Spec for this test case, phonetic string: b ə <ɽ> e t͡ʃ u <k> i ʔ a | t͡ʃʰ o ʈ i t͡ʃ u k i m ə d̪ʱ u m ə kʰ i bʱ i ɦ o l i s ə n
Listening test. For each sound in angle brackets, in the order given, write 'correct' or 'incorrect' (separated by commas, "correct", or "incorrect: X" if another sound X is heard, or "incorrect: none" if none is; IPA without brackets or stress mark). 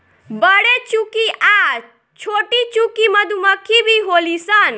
correct, correct